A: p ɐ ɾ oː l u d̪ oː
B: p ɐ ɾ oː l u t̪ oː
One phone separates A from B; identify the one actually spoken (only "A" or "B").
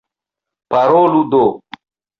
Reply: A